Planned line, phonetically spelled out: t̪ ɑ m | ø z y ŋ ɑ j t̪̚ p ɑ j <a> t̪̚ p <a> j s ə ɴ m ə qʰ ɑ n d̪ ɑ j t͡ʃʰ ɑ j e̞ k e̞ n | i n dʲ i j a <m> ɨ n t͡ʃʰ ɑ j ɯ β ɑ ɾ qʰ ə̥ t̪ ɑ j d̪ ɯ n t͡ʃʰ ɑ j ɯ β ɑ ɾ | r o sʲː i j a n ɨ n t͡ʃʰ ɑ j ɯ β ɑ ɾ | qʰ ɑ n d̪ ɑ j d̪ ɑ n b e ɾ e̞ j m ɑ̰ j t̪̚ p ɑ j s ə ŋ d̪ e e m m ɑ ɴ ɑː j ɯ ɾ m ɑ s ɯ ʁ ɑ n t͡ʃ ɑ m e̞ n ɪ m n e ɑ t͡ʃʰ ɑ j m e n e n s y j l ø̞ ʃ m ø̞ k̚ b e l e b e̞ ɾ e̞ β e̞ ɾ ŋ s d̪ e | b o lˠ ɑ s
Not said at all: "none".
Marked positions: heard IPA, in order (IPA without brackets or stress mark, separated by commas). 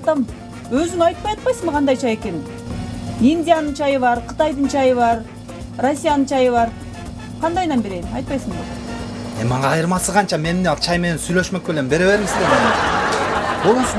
ɑ, ɑ, n